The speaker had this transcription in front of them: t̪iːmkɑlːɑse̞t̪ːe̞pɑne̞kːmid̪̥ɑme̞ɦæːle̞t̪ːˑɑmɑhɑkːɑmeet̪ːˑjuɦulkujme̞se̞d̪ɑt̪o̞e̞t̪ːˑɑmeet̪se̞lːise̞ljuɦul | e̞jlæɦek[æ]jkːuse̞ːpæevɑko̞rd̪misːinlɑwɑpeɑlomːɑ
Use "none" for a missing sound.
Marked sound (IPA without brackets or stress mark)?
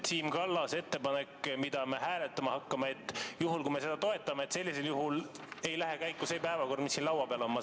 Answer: æ